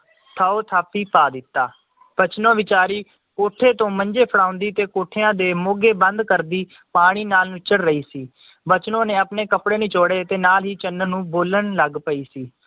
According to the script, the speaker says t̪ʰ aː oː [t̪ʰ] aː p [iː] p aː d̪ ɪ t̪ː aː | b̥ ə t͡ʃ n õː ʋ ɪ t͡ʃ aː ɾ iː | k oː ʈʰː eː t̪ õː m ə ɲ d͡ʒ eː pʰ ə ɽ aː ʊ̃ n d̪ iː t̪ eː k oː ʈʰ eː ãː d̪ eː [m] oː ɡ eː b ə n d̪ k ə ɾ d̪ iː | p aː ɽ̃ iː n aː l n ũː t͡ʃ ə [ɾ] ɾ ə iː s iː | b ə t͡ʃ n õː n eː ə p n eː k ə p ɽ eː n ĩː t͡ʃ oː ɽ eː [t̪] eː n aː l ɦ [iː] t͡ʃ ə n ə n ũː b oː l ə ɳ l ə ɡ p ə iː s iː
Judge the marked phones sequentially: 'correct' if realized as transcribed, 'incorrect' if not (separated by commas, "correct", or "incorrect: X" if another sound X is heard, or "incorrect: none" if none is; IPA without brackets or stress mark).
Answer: correct, correct, correct, incorrect: ɽ, correct, correct